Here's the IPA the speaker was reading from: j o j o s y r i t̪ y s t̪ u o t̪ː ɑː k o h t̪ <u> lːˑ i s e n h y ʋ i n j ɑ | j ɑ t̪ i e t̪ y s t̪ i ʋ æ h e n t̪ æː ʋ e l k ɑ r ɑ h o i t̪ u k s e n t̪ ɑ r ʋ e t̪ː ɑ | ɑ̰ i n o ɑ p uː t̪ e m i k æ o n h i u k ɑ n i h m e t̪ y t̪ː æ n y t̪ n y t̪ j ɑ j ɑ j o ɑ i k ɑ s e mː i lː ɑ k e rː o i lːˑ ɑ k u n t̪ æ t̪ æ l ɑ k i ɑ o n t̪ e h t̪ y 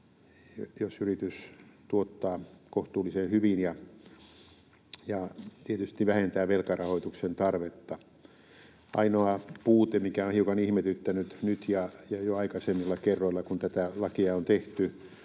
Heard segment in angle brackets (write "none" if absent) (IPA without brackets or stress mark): uː